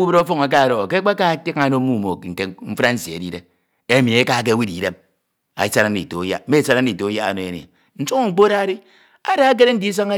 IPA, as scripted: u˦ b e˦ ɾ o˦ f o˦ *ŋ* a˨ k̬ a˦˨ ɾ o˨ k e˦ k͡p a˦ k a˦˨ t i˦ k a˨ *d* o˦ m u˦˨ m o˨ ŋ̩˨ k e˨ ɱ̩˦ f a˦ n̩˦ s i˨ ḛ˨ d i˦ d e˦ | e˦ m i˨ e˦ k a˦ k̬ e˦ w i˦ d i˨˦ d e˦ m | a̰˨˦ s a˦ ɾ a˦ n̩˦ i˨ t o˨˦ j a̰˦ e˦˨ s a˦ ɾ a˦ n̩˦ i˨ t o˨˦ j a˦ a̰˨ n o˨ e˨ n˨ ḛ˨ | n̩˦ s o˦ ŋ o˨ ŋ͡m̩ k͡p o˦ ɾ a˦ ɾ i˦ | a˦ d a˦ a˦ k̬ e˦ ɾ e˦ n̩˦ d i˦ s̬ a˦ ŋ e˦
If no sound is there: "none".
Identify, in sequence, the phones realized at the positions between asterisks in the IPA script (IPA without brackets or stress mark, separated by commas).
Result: ŋ, n